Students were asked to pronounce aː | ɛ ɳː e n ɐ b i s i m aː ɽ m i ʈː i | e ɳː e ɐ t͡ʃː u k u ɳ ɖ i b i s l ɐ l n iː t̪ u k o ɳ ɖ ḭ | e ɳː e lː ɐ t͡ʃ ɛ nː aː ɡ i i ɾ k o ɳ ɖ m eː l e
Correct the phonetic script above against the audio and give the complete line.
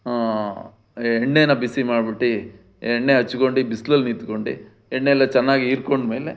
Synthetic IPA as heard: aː | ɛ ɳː e n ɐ b i s i m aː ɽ b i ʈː i | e ɳː e ɐ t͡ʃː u k o ɳ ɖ i b i s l ɐ l n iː t̪ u k o ɳ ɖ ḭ | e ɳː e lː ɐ t͡ʃ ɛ nː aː ɡ i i ɾ k o ɳ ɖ m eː l e